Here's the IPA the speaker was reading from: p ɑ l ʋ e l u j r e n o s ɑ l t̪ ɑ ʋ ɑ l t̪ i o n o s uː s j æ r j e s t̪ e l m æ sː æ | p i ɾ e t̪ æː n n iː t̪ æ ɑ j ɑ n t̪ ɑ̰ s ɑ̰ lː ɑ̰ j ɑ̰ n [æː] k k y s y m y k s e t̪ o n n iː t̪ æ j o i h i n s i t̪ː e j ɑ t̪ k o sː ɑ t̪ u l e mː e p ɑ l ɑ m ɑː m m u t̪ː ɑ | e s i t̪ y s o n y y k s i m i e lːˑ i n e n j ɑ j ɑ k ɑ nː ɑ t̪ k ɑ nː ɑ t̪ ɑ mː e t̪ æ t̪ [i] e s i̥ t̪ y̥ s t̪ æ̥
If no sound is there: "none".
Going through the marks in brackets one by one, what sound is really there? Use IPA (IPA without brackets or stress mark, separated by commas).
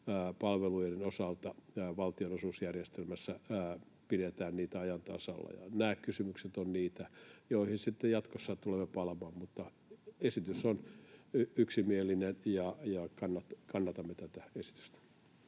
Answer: æː, æ